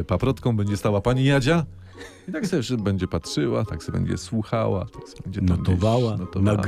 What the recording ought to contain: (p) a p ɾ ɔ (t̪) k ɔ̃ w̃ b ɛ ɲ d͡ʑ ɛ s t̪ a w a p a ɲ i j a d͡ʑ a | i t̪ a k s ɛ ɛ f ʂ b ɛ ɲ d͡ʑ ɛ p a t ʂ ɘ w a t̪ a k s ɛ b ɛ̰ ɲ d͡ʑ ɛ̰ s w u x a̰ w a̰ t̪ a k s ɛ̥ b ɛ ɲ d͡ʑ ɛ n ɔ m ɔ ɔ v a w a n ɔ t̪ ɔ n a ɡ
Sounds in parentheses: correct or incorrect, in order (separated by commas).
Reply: correct, correct